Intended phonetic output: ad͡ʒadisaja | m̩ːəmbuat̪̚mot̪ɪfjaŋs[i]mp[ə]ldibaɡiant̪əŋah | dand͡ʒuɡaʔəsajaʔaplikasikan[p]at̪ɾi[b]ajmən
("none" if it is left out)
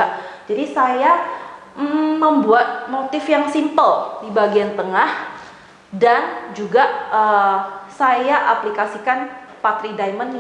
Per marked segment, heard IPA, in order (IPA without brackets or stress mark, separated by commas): i, ə, p, d